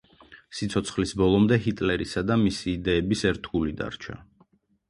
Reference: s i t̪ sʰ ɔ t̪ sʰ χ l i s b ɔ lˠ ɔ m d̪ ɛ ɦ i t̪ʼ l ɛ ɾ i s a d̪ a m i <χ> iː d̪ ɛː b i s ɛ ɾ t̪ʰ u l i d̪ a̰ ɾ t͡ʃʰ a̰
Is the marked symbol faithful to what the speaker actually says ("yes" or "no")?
no